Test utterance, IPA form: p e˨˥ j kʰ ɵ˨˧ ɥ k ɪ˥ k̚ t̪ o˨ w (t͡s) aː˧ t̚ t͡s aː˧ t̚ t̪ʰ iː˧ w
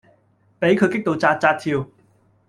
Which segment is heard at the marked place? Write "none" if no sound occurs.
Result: t͡s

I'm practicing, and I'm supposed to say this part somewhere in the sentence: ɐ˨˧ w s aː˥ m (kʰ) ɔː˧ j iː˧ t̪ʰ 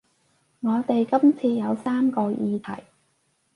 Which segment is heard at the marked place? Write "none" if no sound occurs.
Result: k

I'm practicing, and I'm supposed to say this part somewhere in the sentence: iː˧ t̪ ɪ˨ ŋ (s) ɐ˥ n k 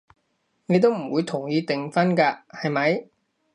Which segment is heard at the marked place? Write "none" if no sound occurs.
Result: f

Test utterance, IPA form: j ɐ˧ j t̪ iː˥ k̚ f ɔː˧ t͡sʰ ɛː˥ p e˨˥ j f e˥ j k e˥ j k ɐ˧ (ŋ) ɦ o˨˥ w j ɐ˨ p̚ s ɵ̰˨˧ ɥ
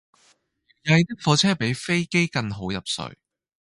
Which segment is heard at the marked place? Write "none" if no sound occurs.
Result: ŋ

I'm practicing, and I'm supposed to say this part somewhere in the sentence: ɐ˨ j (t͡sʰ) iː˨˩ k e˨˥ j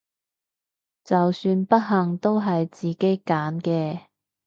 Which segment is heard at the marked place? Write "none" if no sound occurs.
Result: t͡s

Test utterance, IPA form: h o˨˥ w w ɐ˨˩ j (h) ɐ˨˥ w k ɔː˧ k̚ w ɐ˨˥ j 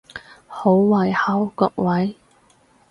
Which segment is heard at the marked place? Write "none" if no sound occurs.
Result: h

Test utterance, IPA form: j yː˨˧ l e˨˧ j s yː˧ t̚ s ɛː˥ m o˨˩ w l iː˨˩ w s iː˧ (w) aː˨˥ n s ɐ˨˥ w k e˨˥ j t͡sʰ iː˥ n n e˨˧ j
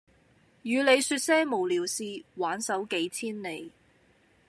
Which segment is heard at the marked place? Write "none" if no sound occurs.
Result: w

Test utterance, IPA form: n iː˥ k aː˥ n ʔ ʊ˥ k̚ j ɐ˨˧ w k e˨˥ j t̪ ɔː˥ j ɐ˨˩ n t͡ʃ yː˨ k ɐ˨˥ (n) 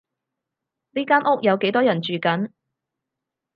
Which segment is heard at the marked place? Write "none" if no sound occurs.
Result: n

